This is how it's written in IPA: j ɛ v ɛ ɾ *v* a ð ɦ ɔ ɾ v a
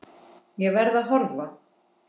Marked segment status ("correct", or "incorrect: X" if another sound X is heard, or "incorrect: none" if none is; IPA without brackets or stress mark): incorrect: ð